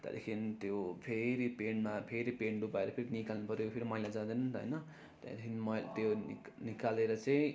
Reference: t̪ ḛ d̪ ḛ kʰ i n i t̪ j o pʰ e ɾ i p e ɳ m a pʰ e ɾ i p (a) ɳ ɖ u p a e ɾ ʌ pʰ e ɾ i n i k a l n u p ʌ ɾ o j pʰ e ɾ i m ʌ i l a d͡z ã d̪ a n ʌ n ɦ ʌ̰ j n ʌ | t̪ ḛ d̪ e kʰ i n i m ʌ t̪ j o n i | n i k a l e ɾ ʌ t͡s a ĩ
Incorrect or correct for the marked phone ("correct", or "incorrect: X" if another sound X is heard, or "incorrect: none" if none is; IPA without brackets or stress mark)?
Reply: incorrect: e